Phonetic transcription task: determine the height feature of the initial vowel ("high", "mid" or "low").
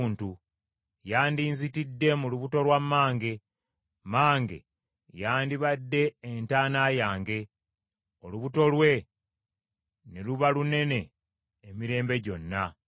high